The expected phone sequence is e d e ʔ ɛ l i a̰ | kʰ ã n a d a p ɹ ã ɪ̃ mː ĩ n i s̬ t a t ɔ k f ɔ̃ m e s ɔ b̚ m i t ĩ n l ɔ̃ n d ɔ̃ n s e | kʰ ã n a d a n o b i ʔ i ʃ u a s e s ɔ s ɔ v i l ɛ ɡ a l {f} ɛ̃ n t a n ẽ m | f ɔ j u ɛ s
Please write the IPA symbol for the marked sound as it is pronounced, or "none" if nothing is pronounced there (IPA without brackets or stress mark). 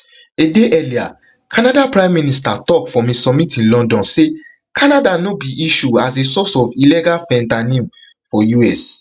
f